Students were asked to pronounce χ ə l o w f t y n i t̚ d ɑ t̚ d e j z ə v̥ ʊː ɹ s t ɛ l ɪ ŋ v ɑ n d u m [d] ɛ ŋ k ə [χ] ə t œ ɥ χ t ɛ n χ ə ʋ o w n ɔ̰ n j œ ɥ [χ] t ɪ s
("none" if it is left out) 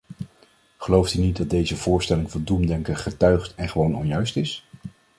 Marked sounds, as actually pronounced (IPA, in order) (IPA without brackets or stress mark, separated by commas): d, χ, s